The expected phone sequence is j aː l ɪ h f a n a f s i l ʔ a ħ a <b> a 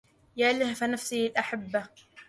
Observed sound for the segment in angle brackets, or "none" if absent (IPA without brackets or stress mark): bː